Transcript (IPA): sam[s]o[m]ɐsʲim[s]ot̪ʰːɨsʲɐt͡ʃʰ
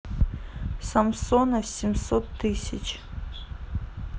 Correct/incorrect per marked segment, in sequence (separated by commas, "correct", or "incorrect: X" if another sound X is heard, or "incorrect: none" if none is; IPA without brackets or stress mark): correct, incorrect: n, correct